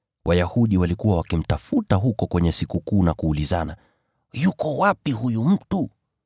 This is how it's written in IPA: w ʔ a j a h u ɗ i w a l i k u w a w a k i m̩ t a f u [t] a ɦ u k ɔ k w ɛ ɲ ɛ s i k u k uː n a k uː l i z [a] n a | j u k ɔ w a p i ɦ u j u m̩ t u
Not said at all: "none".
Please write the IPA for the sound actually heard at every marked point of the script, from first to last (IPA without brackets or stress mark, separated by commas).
t, a